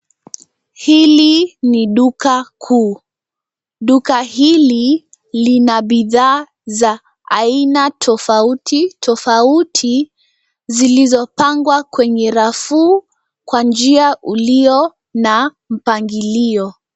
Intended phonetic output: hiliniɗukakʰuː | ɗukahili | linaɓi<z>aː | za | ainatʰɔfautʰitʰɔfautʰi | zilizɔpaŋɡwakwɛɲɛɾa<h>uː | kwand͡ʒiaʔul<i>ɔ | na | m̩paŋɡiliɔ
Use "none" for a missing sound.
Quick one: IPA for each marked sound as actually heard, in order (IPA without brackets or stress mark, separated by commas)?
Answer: ð, f, i